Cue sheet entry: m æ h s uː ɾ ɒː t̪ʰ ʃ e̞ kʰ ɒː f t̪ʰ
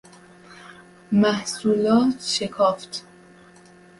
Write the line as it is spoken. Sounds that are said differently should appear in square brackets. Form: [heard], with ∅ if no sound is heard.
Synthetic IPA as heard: m æ h s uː [l] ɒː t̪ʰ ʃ e̞ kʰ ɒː f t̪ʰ